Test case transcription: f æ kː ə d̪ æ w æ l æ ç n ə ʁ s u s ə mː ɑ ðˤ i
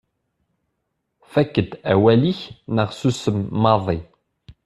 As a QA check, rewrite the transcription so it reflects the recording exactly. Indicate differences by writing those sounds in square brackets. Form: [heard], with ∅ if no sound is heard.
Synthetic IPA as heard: f æ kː ə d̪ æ w æ l [i] ç n ə ʁ s u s ə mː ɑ ðˤ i